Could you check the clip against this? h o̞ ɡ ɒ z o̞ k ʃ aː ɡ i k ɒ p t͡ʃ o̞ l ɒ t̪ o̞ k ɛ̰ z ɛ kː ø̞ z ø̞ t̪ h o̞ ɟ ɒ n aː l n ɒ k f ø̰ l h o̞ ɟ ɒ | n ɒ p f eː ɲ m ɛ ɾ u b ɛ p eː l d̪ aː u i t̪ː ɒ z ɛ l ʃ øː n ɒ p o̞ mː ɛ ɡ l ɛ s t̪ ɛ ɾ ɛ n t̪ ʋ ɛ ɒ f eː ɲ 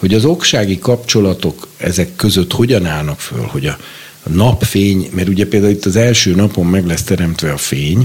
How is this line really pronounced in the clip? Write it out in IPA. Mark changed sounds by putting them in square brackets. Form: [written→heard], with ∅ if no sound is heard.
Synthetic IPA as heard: h o̞ [ɡ→ɟ] ɒ z o̞ k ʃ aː ɡ i k ɒ p t͡ʃ o̞ l ɒ t̪ o̞ k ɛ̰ z ɛ kː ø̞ z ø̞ t̪ h o̞ ɟ ɒ n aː l n ɒ k f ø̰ l h o̞ ɟ ɒ | n ɒ p f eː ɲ m ɛ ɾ u [b→ɟ] ɛ p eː l d̪ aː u i t̪ː ɒ z ɛ l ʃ øː n ɒ p o̞ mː ɛ ɡ l ɛ s t̪ ɛ ɾ ɛ [n→m] t̪ ʋ ɛ ɒ f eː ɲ